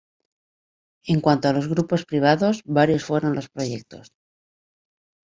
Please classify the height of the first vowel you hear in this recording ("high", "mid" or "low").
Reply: mid